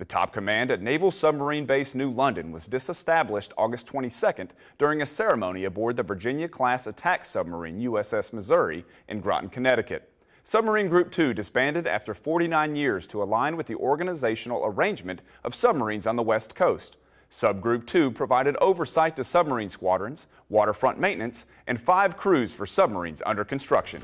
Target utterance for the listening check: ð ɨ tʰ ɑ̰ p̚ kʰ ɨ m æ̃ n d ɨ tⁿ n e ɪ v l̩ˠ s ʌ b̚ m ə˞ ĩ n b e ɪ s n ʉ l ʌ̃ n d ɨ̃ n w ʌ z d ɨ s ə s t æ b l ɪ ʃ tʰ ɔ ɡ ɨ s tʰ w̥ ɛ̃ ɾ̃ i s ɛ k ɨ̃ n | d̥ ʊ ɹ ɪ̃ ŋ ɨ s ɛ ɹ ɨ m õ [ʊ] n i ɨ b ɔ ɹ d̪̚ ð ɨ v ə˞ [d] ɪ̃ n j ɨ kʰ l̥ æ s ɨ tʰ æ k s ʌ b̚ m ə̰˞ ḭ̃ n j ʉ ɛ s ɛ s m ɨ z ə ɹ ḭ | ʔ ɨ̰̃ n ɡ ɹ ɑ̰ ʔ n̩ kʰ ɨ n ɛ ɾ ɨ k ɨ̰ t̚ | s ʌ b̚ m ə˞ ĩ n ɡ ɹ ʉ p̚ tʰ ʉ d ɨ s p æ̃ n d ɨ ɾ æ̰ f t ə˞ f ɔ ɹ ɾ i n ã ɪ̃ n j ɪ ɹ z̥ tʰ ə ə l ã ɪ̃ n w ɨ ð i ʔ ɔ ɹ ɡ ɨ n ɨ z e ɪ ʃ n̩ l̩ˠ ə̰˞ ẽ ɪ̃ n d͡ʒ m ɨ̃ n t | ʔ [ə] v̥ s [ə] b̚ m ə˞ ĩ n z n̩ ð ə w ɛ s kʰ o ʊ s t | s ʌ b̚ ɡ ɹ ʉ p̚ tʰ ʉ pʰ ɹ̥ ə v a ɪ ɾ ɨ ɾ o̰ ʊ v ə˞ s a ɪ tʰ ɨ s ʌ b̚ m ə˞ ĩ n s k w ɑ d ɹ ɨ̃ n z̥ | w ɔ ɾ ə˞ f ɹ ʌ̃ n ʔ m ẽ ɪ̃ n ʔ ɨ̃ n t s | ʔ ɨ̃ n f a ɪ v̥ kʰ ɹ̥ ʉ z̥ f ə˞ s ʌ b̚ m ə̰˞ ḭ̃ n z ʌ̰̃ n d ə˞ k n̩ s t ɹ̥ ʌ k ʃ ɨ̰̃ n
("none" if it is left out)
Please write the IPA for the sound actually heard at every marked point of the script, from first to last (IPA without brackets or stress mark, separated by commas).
ʊ̃, d͡ʒ, ʌ, ʌ